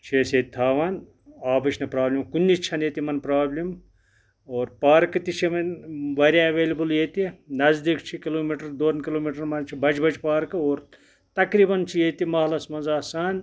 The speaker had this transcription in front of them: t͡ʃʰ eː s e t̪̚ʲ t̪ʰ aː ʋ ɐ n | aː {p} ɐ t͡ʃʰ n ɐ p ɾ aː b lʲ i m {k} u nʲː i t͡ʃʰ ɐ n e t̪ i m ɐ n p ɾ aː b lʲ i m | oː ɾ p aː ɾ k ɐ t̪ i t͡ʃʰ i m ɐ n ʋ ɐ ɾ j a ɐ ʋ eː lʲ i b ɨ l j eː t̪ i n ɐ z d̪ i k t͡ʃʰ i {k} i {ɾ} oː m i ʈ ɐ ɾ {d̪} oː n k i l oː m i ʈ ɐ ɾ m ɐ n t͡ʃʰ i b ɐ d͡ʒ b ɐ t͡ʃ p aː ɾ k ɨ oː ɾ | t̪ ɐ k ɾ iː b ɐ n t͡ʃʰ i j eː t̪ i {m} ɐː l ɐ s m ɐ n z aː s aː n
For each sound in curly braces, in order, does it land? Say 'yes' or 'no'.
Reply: no, yes, yes, no, yes, yes

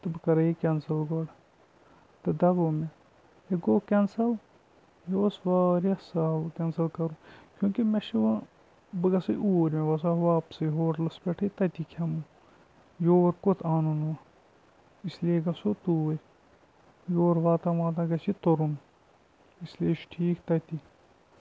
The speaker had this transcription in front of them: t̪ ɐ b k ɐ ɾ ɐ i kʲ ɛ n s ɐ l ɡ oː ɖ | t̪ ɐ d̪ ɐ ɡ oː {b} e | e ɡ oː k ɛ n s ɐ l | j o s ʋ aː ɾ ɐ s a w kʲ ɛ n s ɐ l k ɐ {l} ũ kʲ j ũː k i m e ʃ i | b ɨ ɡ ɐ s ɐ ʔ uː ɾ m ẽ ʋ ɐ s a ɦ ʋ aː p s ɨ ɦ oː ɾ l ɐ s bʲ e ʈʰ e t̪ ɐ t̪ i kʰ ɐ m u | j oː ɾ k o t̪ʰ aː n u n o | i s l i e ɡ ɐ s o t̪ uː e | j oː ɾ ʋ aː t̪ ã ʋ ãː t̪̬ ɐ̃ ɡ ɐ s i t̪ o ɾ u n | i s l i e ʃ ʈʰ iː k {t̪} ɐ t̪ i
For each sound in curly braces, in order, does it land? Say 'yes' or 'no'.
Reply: no, no, yes

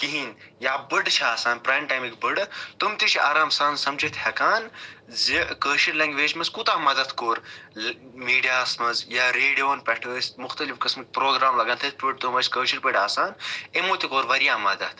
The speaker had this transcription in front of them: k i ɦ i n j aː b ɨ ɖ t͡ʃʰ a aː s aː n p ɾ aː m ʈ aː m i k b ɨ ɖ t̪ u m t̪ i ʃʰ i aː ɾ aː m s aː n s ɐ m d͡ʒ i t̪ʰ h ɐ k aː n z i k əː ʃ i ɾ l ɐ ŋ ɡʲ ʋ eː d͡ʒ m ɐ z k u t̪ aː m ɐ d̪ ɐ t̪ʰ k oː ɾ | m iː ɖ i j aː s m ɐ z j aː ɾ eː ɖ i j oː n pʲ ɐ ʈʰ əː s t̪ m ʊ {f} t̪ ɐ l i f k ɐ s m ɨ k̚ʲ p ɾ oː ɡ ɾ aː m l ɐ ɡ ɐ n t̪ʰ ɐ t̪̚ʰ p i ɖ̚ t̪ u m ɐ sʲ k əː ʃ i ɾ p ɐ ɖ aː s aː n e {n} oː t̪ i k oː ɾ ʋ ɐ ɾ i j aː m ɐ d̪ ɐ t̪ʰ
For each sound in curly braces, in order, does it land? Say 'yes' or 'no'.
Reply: no, no

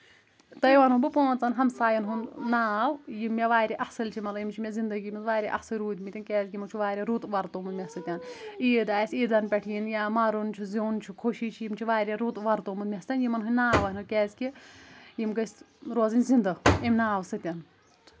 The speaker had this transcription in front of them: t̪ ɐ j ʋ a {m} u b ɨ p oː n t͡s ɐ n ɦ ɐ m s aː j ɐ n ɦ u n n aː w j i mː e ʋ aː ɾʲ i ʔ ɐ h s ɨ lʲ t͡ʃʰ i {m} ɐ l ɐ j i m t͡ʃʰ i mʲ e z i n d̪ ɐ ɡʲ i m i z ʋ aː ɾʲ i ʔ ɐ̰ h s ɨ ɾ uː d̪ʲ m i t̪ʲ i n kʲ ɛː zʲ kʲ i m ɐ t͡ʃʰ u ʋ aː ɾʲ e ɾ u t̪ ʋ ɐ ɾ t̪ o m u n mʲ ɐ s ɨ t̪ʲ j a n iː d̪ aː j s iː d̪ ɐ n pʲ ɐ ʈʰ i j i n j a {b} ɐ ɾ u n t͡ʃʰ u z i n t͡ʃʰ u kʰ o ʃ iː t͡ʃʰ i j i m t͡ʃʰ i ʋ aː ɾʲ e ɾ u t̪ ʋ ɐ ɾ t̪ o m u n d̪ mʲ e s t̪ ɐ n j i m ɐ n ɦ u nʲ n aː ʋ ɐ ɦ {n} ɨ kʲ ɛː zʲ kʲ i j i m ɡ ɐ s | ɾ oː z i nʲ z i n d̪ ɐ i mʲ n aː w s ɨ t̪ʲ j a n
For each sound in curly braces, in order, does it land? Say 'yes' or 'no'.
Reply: no, yes, no, yes

